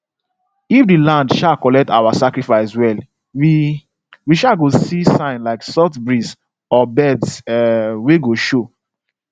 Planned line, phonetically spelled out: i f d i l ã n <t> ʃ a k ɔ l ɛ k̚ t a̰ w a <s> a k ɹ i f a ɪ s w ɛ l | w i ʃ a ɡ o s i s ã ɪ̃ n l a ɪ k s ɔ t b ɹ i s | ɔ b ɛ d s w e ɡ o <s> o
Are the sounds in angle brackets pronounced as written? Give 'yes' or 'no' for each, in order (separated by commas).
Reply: no, yes, no